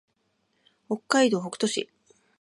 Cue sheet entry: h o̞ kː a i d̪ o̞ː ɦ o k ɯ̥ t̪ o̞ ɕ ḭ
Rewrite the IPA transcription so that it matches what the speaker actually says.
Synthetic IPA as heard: h o̞ kː a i d̪ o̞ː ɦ o k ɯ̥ t̪ o̞ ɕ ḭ